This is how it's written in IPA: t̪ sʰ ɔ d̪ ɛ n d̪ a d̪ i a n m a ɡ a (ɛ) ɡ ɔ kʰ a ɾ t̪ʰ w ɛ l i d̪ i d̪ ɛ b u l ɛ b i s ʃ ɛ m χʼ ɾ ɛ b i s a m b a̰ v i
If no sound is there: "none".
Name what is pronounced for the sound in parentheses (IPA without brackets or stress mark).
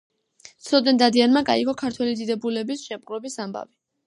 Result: i